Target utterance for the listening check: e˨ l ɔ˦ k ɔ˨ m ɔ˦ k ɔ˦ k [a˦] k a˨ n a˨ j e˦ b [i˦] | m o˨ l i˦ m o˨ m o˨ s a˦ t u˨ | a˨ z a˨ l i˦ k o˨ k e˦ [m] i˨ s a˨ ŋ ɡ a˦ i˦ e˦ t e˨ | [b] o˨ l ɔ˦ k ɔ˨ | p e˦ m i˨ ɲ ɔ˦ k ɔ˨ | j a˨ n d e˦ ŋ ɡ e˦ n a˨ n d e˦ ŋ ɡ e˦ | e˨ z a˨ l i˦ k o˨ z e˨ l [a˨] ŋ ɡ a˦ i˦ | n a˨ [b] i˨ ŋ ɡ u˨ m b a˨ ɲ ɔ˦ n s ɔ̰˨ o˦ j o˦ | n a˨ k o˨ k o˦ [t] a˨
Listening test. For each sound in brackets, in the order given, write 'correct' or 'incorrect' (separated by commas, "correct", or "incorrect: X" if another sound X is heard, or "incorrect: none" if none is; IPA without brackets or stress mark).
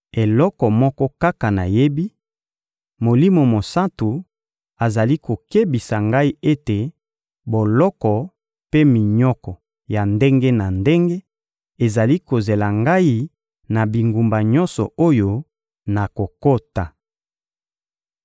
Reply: correct, correct, incorrect: b, correct, correct, correct, correct